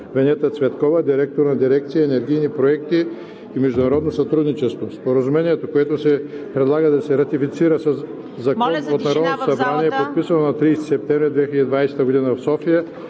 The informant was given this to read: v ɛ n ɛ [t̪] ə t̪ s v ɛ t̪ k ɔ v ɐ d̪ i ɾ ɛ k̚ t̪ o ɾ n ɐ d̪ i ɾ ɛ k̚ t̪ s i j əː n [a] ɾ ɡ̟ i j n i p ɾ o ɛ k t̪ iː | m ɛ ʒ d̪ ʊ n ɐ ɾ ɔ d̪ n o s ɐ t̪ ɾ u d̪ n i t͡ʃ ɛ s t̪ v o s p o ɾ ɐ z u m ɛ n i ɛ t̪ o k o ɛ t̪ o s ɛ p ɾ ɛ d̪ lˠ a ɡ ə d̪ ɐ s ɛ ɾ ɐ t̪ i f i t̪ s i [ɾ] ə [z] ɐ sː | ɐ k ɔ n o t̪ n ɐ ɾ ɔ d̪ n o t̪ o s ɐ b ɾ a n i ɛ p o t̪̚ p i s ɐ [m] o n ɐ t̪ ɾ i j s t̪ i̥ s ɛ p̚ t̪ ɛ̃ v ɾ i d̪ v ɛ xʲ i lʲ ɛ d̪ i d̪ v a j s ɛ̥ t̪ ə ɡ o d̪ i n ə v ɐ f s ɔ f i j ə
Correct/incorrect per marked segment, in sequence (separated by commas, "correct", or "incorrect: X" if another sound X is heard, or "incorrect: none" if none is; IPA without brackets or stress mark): correct, incorrect: ɛ, correct, incorrect: s, incorrect: n